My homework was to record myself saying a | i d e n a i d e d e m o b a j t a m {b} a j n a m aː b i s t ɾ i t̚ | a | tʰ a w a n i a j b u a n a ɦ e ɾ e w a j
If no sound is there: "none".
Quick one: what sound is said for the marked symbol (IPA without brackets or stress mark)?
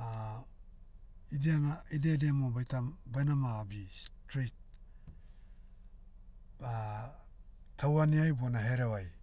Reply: b